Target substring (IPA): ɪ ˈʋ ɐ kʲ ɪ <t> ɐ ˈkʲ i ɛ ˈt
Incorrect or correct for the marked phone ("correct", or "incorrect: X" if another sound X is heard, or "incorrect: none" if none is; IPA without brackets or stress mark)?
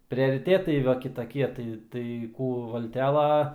correct